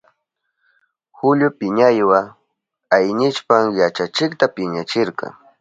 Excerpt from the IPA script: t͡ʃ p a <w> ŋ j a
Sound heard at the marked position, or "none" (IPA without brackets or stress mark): none